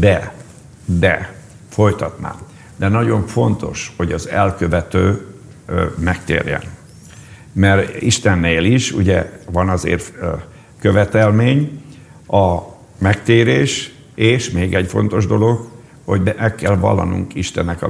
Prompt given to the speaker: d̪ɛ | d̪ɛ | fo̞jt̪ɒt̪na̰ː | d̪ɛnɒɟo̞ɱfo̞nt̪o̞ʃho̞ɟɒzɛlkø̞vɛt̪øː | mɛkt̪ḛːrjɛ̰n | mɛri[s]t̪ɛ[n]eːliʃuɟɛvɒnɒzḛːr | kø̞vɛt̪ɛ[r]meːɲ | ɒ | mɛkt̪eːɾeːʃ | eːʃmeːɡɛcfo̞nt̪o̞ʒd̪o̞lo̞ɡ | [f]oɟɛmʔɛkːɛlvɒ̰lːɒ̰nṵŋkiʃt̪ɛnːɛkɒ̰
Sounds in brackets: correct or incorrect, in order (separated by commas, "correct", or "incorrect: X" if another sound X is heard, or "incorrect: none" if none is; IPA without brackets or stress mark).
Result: incorrect: ʃ, incorrect: nː, incorrect: l, incorrect: h